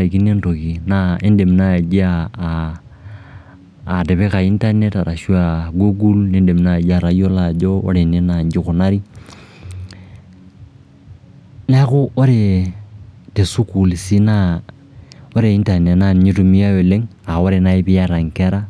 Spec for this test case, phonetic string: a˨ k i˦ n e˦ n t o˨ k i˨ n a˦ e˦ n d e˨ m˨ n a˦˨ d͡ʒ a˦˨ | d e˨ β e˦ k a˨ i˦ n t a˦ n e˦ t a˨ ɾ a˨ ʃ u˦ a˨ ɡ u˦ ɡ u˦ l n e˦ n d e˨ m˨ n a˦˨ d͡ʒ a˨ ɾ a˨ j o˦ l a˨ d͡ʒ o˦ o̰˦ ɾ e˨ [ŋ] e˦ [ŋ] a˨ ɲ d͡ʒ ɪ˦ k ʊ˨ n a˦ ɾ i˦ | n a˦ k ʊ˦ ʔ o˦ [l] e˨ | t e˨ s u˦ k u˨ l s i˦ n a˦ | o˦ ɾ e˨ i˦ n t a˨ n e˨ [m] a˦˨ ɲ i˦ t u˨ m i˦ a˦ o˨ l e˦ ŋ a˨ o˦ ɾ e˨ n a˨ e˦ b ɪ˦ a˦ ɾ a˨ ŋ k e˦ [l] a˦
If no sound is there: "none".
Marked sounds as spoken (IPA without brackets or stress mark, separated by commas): n, n, ɾ, n, ɾ